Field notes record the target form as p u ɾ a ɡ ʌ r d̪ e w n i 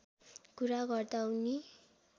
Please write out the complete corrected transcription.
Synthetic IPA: k u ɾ a ɡ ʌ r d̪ a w n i